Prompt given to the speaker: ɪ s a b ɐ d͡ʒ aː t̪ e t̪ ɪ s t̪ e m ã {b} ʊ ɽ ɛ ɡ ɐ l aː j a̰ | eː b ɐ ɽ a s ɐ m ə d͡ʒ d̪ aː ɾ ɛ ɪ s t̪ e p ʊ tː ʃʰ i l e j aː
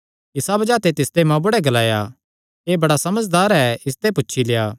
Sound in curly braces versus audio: correct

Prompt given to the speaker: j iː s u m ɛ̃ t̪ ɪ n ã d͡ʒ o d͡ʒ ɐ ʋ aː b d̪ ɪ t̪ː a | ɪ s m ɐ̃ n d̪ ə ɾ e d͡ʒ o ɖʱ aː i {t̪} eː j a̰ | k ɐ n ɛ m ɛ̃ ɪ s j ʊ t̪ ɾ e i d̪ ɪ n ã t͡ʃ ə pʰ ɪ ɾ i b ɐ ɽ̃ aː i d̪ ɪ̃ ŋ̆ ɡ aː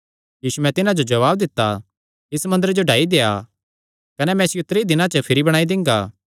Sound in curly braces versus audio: incorrect: d̪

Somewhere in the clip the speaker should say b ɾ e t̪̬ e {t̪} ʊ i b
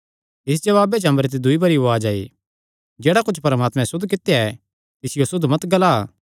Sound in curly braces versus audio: incorrect: d̪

